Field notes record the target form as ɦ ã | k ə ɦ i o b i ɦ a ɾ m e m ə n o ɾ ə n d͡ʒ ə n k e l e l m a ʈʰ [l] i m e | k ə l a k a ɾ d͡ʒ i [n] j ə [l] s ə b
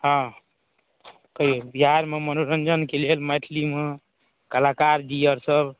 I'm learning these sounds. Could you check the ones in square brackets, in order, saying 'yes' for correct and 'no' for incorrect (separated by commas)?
yes, no, no